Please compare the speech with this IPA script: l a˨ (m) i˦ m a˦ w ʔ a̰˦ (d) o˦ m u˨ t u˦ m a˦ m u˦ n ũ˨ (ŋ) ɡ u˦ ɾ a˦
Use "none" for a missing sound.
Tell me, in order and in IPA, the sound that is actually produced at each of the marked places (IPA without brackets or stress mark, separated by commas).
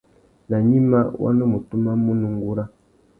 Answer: ɲ, n, ŋ